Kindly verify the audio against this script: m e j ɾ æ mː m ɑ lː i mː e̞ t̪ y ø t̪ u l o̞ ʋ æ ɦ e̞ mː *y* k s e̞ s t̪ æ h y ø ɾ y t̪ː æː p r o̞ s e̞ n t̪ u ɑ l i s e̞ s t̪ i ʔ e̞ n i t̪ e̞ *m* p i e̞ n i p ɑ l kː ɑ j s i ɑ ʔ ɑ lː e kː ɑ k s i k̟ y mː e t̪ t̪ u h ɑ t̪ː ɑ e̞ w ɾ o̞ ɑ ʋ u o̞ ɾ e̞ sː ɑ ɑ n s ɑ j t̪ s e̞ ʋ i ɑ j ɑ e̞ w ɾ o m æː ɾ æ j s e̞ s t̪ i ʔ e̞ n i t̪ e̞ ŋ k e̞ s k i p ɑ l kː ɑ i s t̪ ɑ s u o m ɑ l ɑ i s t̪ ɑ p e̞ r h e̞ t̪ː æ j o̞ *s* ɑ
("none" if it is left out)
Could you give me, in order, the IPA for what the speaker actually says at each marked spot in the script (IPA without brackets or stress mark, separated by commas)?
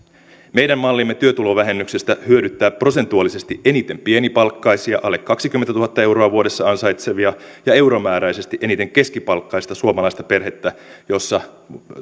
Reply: y, m, sː